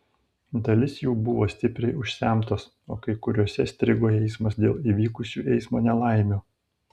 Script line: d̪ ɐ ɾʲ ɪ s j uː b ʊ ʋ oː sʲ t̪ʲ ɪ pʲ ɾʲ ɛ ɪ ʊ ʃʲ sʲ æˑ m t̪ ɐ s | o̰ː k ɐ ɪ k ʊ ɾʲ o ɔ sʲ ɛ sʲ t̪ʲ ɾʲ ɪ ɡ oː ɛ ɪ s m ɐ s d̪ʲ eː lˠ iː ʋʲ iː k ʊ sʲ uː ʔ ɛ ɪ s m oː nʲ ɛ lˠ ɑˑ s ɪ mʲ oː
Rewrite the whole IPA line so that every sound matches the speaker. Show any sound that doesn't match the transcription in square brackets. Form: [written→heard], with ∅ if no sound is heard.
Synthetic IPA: d̪ ɐ [ɾʲ→lʲ] ɪ s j uː b ʊ ʋ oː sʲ t̪ʲ ɪ pʲ ɾʲ ɛ ɪ ʊ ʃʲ sʲ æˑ m t̪ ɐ s | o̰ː k ɐ ɪ k ʊ ɾʲ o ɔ sʲ ɛ sʲ t̪ʲ ɾʲ ɪ ɡ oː ɛ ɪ s m ɐ s d̪ʲ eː lˠ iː ʋʲ iː k ʊ sʲ uː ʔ ɛ ɪ s m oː nʲ ɛ lˠ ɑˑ [s→∅] ɪ mʲ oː